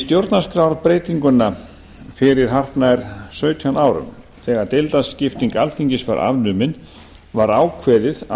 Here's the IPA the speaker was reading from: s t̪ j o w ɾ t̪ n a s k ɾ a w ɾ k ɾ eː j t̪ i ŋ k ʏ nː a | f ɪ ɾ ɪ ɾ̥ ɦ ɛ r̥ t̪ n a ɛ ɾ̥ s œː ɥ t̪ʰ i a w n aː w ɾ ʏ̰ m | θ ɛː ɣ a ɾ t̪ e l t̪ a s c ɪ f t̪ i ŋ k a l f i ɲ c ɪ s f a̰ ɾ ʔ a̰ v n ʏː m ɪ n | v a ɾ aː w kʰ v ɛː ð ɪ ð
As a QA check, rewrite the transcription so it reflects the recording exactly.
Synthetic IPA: s t̪ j o w ɾ t̪ n a s k ɾ a w ɾ p ɾ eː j t̪ i ŋ k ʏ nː a | f ɪ ɾ ɪ ɾ̥ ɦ a r̥ t̪ n a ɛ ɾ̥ s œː ɥ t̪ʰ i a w n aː w ɾ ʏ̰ m | θ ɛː ɣ a ɾ t̪ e l t̪ a s c ɪ f t̪ i ŋ k a l f i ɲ c ɪ s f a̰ ɾ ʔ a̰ v n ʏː m ɪ n | v a ɾ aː w kʰ v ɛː ð ɪ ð